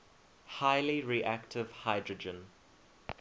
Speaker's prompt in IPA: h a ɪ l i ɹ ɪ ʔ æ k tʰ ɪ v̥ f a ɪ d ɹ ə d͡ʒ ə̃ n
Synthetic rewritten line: h a ɪ l i ɹ i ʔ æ k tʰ ɪ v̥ h a ɪ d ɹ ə d͡ʒ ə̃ n